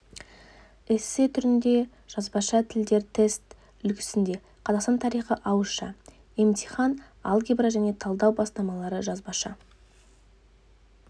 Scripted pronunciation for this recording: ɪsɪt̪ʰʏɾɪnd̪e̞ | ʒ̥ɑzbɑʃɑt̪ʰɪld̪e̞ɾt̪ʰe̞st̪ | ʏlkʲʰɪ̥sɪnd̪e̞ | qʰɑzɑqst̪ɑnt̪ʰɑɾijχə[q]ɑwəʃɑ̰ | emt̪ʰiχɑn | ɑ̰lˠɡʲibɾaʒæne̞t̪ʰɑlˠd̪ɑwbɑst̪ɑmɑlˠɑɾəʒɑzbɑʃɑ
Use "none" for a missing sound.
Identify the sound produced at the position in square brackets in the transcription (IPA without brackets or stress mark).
ʔ